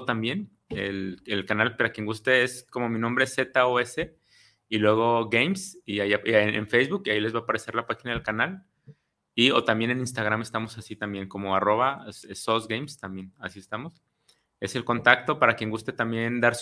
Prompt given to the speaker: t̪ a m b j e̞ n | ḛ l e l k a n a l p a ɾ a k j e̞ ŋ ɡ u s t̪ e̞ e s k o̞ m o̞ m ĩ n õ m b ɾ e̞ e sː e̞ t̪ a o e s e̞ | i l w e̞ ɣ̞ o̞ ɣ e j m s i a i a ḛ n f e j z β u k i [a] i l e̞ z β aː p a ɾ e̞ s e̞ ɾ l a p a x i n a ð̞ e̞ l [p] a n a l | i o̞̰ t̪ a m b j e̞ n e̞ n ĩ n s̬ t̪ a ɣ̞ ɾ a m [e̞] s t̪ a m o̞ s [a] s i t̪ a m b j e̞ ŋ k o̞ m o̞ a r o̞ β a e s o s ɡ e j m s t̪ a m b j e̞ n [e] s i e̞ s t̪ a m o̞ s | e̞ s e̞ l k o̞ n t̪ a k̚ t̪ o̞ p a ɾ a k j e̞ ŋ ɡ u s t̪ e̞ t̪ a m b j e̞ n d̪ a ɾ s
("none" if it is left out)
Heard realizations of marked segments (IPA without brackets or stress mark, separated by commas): a, k, e̞, a, a